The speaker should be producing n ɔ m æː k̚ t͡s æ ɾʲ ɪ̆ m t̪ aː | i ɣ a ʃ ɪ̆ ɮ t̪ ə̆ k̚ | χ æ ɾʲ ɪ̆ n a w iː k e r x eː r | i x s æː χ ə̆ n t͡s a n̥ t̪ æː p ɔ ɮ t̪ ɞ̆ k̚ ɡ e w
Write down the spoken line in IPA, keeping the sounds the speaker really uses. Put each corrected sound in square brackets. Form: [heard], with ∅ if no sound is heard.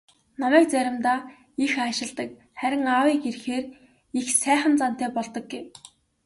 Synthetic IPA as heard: n ɔ m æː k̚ t͡s æ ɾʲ ɪ̆ m t̪ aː | i [x] a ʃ ɪ̆ ɮ t̪ ə̆ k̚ | χ æ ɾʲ ɪ̆ [ŋ] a w iː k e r x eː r | i x s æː χ ə̆ n t͡s a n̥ t̪ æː p ɔ ɮ t̪ ɞ̆ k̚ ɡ e w